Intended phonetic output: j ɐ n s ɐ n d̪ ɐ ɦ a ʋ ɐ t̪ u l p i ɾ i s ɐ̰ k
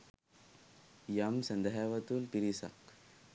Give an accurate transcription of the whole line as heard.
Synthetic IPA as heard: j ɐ m s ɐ n d̪ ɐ ɦ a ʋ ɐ t̪ u l p i ɾ i s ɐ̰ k